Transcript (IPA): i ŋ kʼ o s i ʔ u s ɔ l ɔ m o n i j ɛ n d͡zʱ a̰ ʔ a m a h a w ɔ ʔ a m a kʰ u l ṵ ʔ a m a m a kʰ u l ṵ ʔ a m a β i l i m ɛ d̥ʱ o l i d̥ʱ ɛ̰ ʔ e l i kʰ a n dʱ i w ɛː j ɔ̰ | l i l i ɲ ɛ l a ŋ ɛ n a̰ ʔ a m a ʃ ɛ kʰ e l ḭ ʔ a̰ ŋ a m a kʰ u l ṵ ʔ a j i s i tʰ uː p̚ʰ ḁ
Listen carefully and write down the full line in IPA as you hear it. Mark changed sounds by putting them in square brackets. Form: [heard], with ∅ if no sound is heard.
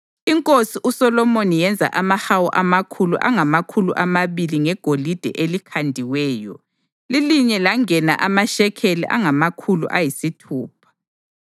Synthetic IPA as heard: i ŋ kʼ o s i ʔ u s ɔ l ɔ m o n i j ɛ n d͡zʱ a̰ ʔ a m a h a w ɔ ʔ a m a kʰ u l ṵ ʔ a [ŋ] a m a kʰ u l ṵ ʔ a m a β i l i [ŋ] ɛ [ɡ̥ʱ] o l i d̥ʱ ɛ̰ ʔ e l i kʰ a n dʱ i w ɛː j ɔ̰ | l i l i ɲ ɛ l a ŋ ɛ n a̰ ʔ a m a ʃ ɛ kʰ e l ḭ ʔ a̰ ŋ a m a kʰ u l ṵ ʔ a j i s i tʰ uː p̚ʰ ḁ